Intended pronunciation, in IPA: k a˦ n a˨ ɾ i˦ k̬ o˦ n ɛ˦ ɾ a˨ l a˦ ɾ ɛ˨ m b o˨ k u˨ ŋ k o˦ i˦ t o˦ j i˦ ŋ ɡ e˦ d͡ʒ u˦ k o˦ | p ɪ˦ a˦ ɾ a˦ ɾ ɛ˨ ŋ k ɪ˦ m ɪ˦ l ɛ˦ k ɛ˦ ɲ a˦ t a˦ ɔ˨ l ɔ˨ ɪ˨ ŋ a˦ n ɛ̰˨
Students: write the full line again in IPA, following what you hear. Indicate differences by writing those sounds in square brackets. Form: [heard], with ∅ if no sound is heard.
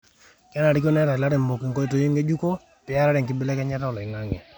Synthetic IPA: k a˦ n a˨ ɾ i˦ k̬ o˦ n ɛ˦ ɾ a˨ l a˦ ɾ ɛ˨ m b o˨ k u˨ ŋ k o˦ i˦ t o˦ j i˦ ŋ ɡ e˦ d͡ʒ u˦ k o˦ | p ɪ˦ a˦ ɾ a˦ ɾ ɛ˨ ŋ k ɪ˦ [b] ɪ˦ l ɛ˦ k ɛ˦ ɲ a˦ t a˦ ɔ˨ l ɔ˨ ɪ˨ ŋ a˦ [ŋ] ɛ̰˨